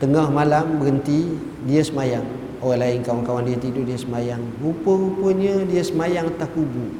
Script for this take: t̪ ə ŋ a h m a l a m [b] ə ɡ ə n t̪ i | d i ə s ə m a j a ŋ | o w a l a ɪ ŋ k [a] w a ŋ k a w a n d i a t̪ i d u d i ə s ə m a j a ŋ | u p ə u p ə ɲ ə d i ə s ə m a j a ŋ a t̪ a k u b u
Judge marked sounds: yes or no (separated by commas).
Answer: yes, yes